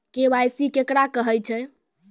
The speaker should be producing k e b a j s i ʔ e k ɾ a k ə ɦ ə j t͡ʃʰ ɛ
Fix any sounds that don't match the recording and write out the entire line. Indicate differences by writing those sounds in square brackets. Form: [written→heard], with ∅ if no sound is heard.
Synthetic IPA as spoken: k e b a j s i [ʔ→k] e k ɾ a k ə ɦ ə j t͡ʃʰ ɛ